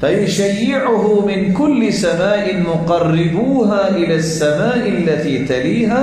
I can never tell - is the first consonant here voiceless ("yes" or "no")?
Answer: yes